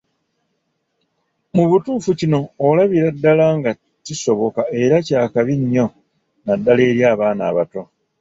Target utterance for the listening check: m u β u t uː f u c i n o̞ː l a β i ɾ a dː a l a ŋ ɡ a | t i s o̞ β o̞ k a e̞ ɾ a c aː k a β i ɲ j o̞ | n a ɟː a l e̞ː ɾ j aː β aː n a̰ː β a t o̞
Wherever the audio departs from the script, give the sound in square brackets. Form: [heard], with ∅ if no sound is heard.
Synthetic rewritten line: m u β u t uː f u c i n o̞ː l a β i ɾ a dː a l a ŋ ɡ a | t i s o̞ β o̞ k a e̞ ɾ a c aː k a β i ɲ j o̞ | n a [dː] a l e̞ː ɾ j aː β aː n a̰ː β a t o̞

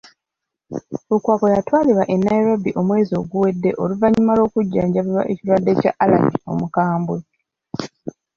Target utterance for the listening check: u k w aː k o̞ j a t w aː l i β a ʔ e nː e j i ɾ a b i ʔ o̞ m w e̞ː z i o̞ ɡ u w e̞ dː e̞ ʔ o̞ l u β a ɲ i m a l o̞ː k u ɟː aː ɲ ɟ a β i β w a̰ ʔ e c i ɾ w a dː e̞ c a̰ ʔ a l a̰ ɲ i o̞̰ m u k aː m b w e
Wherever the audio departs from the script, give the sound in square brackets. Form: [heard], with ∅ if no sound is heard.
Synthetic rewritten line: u k w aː k o̞ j a t w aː l i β a ʔ e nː [a] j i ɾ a b i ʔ o̞ m w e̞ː z i o̞ ɡ u w e̞ dː e̞ ʔ o̞ l u [v] a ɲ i m a l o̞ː k u ɟː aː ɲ ɟ a β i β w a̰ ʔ e c i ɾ w a dː e̞ c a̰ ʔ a l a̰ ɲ i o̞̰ m u k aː m b w e

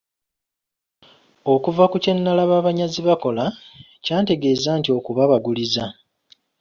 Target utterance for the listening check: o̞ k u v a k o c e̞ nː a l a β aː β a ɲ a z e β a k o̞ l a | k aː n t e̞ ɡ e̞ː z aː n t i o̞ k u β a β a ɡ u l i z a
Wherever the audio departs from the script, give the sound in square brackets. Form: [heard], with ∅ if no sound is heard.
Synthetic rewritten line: o̞ k u v a k [u] c e̞ nː a l a β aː β a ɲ a z [i] β a k o̞ l a | [c] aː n t e̞ ɡ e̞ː z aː n t i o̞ k u β a β a ɡ u l i z a

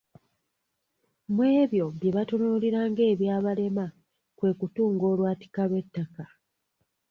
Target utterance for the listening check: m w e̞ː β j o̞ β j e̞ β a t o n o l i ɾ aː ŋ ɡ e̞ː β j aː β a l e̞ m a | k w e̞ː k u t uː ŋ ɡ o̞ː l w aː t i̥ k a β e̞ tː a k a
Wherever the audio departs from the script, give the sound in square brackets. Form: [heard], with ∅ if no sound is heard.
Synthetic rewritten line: m w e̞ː β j o̞ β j e̞ β a t o n o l i ɾ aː ŋ ɡ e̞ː β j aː β a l e̞ m a | k w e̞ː k u t uː ŋ ɡ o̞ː l w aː t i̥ k a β e̞ tː a k a

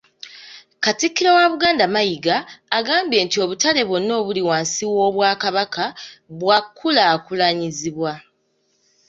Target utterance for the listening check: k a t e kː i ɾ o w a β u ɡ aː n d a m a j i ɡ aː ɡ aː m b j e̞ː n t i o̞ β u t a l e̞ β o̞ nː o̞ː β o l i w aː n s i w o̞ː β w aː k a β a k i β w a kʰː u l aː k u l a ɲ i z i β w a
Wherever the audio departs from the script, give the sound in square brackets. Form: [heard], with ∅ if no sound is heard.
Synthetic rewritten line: k a t [i] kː i ɾ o w a β u ɡ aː n d a m a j i ɡ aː ɡ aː m b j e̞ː n t i o̞ β u t a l e̞ β o̞ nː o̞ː β [u] l i w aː n s i w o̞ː β w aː k a β a k [a] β w a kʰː u l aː k u l a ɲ i z i β w a

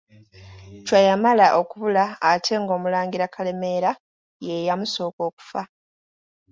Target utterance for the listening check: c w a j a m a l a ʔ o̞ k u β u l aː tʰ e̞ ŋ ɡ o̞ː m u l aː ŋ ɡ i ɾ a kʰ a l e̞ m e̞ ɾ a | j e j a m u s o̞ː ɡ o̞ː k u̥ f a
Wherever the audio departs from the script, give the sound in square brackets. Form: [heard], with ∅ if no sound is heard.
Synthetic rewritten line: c w a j a m a l a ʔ o̞ k u β u l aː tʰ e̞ ŋ ɡ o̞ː m u l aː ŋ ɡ i ɾ a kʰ a l e̞ m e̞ ɾ a | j e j a m u s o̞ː [k] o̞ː k u̥ f a

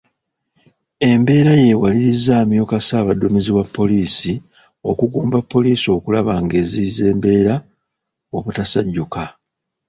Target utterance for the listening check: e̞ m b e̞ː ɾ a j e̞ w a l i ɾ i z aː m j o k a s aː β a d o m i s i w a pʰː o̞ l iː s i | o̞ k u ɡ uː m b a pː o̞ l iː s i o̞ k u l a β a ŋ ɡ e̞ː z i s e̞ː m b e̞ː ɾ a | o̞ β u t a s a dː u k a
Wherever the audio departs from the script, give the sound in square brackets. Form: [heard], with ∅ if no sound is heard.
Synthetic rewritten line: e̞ m b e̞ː ɾ a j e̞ w a l i ɾ i z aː m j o k a s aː β a d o m i [z] i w a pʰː o̞ l iː s i | o̞ k u ɡ uː m b a pː o̞ l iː s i o̞ k u l a β a ŋ ɡ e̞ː z i [z] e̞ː m b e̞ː ɾ a | o̞ β u t a s a [ɟː] u k a

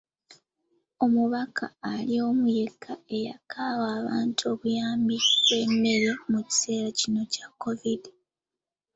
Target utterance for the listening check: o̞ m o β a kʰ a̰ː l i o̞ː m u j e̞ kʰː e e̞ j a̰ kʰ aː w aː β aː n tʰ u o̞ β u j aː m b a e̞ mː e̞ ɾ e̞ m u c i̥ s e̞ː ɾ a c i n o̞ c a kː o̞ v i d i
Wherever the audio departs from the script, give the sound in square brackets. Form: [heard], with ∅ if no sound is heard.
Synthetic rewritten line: o̞ m [u] β a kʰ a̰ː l i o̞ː m u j e̞ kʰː [a] e̞ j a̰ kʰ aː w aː β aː n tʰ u o̞ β u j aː m b [i] e̞ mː e̞ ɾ e̞ m u c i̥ s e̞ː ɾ a c i n o̞ c a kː o̞ v i d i

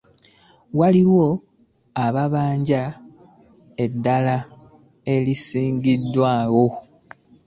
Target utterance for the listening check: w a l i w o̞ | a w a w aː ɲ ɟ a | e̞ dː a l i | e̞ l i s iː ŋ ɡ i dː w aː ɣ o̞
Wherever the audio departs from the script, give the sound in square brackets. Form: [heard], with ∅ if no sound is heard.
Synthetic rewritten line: w a l i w o̞ | a [β] a [β] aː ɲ ɟ a | e̞ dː a l [a] | e̞ l i s iː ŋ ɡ i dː w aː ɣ o̞

